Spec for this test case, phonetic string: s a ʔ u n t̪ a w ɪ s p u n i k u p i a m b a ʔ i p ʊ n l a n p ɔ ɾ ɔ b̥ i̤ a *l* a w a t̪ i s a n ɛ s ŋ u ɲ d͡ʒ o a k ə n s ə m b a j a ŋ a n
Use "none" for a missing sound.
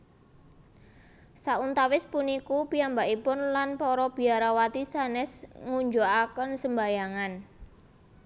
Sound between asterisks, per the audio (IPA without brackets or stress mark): ɾ